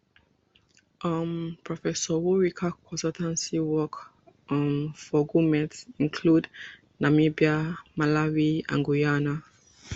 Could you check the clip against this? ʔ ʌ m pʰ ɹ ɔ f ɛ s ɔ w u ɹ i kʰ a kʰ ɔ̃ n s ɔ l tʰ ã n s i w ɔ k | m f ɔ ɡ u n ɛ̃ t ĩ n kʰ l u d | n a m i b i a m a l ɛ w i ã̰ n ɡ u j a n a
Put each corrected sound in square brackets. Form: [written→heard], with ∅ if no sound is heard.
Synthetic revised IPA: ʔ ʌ m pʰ ɹ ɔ f ɛ s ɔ w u ɹ i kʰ a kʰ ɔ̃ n s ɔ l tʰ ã n s i w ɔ k | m f ɔ ɡ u [n→m] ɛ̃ t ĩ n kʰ l u d | n a m i b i a m a l [ɛ→a] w i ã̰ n ɡ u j a n a